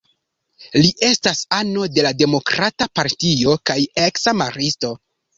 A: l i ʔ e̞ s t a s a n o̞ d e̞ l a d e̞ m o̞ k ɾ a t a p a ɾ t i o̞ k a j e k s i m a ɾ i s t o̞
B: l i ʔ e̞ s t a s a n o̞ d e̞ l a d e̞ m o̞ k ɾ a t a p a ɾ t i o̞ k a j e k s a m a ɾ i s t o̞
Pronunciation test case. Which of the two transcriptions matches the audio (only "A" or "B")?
B